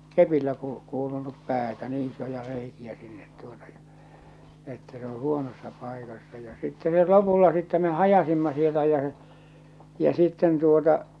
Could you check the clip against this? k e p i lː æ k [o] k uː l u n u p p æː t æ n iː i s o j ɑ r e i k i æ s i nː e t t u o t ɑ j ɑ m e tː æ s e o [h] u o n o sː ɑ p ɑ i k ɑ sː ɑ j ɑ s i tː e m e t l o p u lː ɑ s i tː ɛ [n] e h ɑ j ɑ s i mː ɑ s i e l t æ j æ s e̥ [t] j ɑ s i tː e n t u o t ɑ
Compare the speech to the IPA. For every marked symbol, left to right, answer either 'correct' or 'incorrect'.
incorrect: u, correct, incorrect: m, incorrect: none

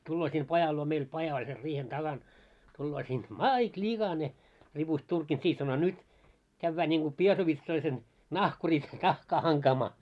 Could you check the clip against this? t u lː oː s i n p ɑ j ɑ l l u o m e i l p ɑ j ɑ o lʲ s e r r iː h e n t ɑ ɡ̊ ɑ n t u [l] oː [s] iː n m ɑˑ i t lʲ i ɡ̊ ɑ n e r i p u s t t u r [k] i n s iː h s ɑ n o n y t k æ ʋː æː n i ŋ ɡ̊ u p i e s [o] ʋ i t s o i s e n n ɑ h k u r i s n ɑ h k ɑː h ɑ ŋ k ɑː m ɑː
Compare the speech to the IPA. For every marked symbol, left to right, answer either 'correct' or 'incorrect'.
incorrect: lː, correct, correct, correct

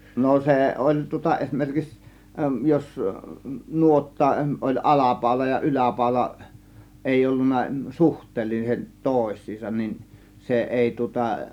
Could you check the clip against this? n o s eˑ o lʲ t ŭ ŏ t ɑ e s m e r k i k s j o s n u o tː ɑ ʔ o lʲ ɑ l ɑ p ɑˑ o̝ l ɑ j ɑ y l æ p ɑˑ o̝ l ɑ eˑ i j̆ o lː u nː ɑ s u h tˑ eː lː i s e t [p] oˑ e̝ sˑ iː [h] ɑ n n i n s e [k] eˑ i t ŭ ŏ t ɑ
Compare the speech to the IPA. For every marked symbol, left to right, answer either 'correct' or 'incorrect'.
incorrect: t, incorrect: s, incorrect: ʔ

